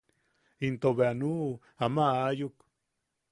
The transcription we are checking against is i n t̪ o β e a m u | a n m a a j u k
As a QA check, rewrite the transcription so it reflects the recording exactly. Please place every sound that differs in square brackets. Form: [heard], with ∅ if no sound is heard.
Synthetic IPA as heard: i n t̪ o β e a [n] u | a [∅] m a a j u k